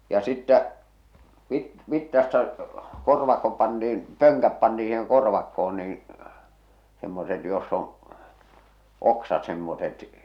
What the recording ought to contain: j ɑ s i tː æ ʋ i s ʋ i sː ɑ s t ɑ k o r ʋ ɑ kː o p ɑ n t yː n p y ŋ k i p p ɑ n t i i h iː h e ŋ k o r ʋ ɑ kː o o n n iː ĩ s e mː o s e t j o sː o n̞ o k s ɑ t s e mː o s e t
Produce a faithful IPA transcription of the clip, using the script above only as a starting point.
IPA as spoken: j ɑ s i tː æ ʋ i t ʋ i tː ɑ s t ɑ k o r ʋ ɑ kː o p ɑ n t iː n p ø ŋ k æ p p ɑ n t i i s iː h e ŋ k o r ʋ ɑ kː o o n n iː ĩ s e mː o s e t j o sː o n̞ o k s ɑ t s e mː o s e t

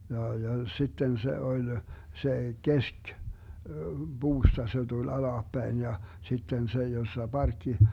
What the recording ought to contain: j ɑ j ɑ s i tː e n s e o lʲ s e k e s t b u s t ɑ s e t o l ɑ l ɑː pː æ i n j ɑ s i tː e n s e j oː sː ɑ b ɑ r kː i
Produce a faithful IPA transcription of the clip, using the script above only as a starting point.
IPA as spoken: j ɑ j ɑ s i tː e n s e o lʲ s e k e s k b uː s t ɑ s e t u l ɑ l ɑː pː æ i n j ɑ s i tː e n s e j o sː ɑ b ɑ r kː i

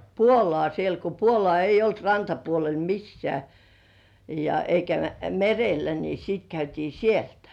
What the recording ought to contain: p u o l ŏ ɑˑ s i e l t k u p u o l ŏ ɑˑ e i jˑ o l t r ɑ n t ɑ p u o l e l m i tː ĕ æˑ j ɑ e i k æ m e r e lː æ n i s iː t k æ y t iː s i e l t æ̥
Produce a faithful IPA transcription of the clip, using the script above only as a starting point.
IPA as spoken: p u o l ŏ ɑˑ s i e l t k o p u o l ŏ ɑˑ e i jˑ o l t r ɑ n t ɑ p u o l e l m i sː ĕ æˑ j ɑ e i k æ m e r e lː æ n i s iː t k æ y t iː s i e l t æ̥

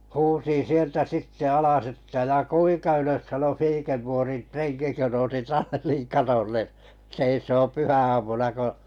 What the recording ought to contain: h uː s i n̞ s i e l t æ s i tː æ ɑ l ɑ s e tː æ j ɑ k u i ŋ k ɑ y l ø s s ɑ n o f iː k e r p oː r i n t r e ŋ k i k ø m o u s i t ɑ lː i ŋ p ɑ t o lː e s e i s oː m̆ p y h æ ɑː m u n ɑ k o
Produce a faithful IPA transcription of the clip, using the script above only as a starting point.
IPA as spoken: h uː s i n̞ s i e l t æ s i tː e ɑ l ɑ s e tː æ j ɑ k u i ŋ k ɑ y l ø s s ɑ n o f iː k e r p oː r i n t r e ŋ k i k ø n o u s i t ɑ lː i ŋ k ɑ t o lː e s e i s oː m̆ p y h æ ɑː m u n ɑ k o

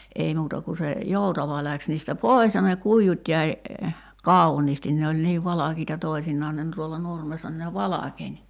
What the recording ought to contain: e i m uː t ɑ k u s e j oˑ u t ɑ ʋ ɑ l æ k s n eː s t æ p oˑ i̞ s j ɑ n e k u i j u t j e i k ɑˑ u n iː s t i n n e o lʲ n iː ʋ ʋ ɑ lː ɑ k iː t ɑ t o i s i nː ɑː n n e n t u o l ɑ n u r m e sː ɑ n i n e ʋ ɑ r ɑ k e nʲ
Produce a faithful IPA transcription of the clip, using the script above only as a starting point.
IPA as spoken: e i m uː t ɑ k u s e j oˑ u t ɑ ʋ ɑ l æ k s n iː s t æ p oˑ i̞ s j ɑ n e k u i j u t j æ i k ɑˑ u n iː s t i n n e o lʲ n iː ʋ ʋ ɑ l ɑ k iː t ɑ t o i s i nː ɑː n n e n t u o lː ɑ n u r m e sː ɑ n i n e ʋ ɑ l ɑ k e nʲ

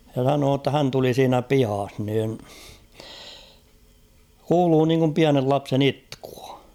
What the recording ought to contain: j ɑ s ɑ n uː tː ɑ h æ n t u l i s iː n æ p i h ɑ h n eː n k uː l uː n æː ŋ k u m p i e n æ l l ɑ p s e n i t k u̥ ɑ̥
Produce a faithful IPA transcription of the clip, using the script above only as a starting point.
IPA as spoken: j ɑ s ɑ n oː tː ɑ h æ n t u l i s iː n æ p i h ɑ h n iː n k uː l uː n iː ŋ k u m p i æ n e l l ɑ p s e n i t k u̥ ɑ̥

